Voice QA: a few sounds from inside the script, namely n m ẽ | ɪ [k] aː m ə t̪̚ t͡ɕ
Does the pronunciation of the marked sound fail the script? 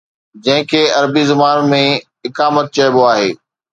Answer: no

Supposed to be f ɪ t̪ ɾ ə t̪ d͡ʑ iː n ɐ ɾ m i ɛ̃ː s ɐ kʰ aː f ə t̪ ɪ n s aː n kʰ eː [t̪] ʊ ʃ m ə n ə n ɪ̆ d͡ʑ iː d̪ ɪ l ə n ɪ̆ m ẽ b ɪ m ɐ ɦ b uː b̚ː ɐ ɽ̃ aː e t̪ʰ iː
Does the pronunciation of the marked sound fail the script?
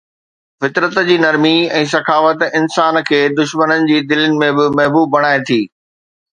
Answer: yes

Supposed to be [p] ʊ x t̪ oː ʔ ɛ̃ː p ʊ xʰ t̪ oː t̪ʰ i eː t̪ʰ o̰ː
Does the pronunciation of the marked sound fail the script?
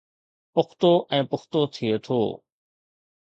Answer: no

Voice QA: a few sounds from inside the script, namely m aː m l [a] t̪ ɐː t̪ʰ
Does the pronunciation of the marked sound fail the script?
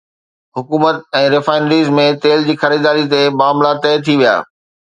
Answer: no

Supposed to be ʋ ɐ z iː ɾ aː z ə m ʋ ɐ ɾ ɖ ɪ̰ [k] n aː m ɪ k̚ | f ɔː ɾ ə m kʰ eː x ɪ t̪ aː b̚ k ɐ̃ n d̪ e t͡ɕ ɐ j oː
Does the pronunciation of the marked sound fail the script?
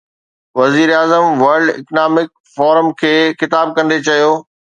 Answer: no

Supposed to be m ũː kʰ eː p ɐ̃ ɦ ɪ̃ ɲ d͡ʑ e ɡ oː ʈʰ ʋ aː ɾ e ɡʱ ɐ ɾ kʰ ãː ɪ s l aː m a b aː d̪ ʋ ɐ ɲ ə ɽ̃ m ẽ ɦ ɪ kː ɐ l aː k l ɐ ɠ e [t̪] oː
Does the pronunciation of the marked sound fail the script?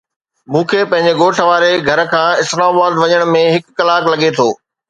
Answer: yes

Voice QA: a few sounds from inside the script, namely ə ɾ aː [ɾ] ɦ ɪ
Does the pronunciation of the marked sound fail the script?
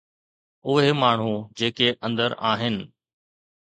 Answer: yes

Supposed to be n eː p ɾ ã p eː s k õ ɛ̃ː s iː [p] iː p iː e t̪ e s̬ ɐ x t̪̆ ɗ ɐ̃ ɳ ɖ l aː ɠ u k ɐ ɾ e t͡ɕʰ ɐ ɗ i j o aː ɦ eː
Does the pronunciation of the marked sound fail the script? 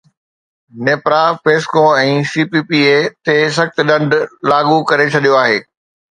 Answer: no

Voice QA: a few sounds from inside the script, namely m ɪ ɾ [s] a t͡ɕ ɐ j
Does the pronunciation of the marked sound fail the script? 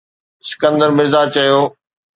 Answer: yes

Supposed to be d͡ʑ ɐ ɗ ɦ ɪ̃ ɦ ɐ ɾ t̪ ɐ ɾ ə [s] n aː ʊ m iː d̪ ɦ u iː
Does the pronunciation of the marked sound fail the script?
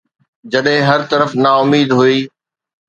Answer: yes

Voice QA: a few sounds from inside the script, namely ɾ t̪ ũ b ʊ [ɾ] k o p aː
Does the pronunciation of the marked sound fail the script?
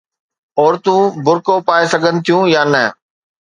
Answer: no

